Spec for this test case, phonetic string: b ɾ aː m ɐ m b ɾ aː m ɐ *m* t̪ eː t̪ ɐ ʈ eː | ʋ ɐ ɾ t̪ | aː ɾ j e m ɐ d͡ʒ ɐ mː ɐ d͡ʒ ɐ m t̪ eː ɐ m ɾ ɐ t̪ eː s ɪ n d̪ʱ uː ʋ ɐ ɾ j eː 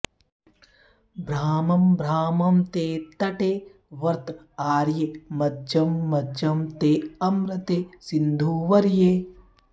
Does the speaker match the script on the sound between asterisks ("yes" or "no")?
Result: yes